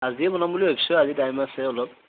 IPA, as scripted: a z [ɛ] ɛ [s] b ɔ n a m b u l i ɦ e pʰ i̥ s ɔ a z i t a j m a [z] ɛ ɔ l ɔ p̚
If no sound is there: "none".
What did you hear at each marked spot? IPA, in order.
i, none, s

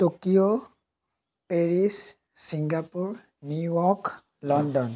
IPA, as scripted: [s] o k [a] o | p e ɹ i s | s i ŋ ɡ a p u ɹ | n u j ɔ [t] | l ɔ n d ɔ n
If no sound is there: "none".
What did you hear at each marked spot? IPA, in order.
t, i, k

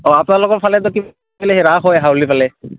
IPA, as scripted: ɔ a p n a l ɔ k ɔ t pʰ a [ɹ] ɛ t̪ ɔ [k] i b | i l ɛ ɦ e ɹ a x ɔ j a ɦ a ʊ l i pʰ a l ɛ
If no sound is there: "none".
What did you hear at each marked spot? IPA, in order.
l, k

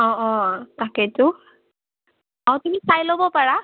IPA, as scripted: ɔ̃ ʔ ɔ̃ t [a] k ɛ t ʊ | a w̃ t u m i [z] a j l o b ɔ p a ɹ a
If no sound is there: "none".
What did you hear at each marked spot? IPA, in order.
a, s

